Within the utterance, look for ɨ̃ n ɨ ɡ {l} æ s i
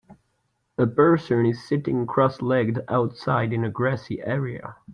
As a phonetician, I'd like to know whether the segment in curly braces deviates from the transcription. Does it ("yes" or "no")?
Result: yes